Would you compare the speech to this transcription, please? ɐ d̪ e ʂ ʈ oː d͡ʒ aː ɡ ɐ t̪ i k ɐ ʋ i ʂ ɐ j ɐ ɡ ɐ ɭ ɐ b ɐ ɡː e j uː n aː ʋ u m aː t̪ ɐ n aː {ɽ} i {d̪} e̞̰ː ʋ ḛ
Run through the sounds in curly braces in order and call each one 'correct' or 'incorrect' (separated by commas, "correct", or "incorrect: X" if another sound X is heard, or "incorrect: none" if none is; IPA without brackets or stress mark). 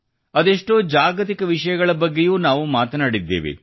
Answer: correct, incorrect: d̪ː